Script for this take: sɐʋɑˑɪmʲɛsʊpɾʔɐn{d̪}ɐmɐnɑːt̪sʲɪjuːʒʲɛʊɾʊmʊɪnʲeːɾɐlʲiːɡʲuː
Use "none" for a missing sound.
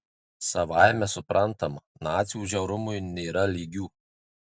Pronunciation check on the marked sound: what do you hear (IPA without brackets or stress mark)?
t̪